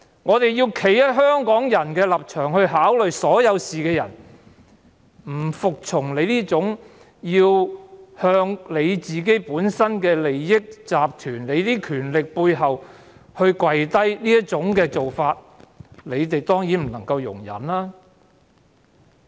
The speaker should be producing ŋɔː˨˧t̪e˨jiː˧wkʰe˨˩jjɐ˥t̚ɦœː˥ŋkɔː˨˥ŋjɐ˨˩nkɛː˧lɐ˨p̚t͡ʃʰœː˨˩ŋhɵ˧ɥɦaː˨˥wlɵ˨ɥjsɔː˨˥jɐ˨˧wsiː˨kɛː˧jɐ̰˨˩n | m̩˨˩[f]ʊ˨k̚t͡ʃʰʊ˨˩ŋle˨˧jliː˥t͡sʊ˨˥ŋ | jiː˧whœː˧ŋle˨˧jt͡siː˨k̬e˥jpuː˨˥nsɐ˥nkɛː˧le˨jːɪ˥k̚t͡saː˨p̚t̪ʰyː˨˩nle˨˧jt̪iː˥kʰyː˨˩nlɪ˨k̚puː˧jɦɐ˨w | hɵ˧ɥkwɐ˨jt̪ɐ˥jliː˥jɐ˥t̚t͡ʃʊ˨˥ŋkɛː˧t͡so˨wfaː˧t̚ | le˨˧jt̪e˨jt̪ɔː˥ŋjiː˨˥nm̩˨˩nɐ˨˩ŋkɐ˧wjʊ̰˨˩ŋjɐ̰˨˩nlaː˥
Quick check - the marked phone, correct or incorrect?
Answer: correct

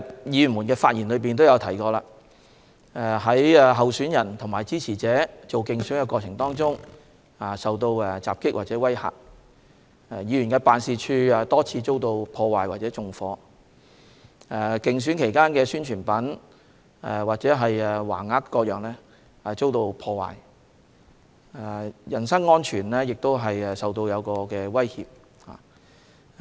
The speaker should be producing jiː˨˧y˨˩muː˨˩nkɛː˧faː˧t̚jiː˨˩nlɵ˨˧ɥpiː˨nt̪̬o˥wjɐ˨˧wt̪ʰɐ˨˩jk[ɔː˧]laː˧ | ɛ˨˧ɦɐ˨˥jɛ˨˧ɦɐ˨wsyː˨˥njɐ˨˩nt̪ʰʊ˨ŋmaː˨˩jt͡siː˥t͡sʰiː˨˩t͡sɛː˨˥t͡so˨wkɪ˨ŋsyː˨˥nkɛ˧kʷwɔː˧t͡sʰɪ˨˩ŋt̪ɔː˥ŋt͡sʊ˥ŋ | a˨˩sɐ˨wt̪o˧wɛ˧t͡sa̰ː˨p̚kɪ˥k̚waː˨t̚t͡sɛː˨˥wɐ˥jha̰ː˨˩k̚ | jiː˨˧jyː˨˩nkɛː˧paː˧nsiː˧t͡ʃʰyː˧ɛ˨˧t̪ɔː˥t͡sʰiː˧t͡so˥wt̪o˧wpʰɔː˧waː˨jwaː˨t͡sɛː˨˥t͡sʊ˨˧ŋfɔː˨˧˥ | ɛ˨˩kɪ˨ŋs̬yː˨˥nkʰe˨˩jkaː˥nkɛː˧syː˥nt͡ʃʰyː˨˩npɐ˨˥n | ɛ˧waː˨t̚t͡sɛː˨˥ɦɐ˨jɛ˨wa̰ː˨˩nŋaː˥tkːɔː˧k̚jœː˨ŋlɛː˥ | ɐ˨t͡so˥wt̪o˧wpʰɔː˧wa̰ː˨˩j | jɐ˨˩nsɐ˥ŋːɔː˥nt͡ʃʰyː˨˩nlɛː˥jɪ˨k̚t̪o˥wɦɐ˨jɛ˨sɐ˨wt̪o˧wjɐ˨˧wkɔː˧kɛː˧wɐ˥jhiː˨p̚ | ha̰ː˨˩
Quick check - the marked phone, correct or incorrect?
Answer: correct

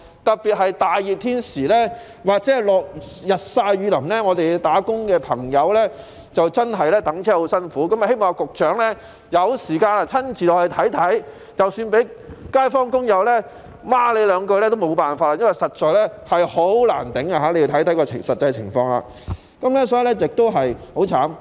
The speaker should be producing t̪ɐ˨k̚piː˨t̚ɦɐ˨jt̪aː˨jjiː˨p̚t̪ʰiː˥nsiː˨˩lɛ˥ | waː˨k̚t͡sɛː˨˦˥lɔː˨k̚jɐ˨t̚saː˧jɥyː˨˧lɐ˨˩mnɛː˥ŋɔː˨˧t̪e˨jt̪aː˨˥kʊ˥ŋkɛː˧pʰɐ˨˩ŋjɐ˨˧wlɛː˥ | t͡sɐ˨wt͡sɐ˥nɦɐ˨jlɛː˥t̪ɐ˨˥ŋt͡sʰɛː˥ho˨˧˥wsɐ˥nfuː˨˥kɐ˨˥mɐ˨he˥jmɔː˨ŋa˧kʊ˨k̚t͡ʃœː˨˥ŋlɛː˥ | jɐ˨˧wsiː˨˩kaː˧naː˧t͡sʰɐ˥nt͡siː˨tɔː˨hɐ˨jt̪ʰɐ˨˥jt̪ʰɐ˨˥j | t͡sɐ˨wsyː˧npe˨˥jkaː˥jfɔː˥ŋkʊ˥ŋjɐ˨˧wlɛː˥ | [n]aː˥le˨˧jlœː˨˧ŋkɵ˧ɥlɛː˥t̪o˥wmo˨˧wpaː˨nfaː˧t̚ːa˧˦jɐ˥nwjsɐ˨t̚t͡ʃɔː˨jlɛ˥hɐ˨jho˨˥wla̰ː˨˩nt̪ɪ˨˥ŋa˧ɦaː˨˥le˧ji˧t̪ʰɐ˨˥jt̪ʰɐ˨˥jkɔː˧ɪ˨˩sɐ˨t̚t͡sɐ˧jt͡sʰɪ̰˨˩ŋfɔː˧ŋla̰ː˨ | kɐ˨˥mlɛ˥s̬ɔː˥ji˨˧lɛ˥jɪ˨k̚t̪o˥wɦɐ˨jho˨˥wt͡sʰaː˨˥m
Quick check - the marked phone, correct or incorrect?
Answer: incorrect: m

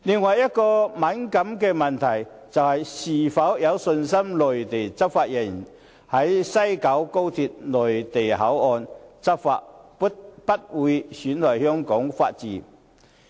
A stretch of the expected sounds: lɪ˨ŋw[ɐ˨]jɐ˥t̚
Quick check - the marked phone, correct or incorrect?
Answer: correct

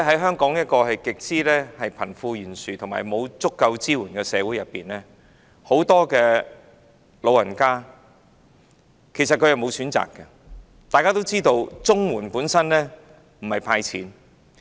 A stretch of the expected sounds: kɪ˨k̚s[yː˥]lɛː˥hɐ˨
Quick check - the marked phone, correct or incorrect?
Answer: incorrect: iː˥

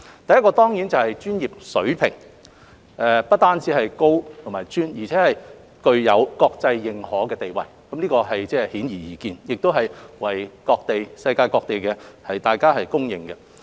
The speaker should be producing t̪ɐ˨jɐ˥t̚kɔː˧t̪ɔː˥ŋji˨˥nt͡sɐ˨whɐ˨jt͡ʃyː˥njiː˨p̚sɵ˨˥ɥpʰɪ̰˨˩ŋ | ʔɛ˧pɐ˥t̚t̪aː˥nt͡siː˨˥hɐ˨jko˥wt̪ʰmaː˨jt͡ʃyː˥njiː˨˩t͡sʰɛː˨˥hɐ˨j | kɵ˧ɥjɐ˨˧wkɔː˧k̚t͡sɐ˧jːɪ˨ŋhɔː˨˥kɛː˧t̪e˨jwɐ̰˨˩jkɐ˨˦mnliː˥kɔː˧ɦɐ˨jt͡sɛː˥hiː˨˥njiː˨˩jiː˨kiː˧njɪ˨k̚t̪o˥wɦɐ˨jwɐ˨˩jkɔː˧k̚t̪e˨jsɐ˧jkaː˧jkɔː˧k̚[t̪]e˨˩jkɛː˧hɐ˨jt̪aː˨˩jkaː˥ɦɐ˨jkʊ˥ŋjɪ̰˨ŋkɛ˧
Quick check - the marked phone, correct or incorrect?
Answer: correct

